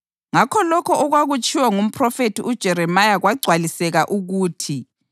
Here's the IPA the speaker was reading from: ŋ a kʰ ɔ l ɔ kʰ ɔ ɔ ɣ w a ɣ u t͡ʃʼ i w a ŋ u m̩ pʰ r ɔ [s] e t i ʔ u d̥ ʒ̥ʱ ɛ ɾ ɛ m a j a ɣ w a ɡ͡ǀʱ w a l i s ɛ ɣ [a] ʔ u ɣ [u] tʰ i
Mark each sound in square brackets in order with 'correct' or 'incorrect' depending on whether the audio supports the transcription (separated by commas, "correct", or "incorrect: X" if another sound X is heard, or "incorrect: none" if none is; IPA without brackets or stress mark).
incorrect: f, correct, incorrect: uː